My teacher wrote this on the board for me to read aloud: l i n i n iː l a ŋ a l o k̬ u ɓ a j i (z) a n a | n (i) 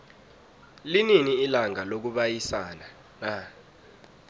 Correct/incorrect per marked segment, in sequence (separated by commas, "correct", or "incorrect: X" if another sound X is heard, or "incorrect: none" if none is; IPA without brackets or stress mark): incorrect: s, incorrect: a